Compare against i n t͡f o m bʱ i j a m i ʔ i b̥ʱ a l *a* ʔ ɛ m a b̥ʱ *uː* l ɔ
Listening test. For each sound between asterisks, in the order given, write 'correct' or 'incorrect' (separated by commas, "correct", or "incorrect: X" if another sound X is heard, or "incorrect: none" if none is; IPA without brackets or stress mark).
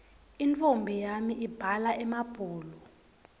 correct, correct